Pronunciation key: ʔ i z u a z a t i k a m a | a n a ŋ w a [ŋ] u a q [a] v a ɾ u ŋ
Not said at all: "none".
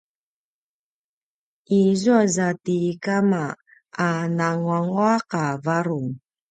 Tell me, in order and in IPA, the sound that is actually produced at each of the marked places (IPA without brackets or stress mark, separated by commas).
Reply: ŋ, a